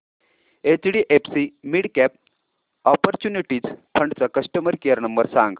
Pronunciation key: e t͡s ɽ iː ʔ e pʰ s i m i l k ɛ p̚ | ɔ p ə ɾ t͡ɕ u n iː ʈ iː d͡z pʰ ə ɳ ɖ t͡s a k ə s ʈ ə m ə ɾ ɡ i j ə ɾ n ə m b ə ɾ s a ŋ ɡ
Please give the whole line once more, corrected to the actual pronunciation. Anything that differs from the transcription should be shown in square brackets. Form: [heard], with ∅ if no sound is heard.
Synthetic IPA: e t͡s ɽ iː ʔ e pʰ s i m i [ɽ] k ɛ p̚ | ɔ p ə ɾ t͡ɕ u n [i] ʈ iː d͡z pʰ ə ɳ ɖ t͡s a k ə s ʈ ə m ə ɾ [k] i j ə ɾ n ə m b ə ɾ s a ŋ ɡ